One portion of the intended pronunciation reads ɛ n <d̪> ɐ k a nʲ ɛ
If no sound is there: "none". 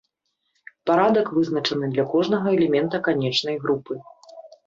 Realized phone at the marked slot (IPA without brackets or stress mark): t̪